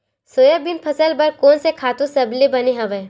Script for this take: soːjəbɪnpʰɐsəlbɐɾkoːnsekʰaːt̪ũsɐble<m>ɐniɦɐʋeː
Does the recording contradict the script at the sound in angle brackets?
yes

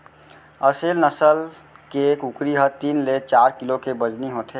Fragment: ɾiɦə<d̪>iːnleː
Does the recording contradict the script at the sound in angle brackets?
yes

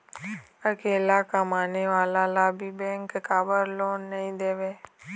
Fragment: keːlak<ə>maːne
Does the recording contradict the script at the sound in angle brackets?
yes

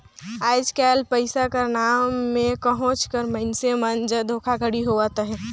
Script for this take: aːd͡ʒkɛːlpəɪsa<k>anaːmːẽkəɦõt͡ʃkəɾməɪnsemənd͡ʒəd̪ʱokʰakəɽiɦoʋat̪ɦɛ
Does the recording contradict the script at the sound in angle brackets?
no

